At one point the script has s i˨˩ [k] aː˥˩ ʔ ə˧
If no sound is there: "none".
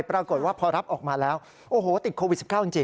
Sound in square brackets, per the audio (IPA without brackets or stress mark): k